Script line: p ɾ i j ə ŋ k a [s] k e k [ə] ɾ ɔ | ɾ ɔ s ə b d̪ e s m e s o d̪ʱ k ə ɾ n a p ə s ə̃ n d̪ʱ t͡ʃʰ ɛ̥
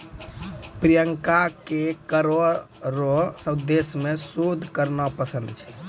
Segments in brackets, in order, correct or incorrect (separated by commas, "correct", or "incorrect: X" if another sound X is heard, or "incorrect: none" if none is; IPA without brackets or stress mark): incorrect: none, correct